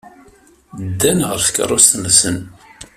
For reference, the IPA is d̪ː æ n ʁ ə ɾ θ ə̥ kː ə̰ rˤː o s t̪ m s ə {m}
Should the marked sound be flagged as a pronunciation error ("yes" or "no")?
yes